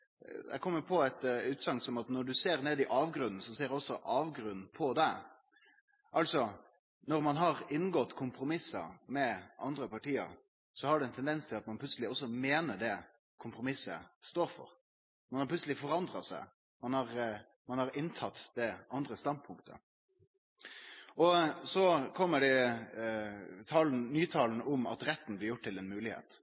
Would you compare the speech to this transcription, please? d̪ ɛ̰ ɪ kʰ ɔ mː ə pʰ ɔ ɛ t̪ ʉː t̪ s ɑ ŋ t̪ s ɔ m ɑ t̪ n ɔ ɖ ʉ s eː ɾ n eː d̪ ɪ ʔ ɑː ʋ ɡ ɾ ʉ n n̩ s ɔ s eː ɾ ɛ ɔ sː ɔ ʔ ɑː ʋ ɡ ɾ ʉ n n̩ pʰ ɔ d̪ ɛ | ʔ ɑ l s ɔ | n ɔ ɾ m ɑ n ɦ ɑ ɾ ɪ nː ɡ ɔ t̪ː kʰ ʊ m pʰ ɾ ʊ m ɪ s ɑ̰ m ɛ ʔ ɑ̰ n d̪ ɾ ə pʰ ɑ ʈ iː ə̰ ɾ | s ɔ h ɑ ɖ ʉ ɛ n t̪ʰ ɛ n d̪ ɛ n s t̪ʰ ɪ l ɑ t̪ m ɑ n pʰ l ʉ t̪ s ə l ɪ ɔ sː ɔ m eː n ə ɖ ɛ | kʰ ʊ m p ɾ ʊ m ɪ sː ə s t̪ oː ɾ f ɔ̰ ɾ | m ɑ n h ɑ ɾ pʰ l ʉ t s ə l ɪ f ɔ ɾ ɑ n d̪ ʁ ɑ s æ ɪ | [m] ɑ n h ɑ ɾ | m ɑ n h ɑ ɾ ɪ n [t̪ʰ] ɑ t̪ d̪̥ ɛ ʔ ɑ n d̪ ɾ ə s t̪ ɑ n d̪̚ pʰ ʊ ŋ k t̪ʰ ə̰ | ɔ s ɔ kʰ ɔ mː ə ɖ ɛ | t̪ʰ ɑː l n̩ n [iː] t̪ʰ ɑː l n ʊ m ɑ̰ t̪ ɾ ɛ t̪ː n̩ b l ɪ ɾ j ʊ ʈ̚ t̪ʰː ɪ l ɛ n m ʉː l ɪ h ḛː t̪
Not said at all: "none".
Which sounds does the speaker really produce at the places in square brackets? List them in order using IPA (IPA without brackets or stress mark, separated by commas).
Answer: m, t̪ʰ, yː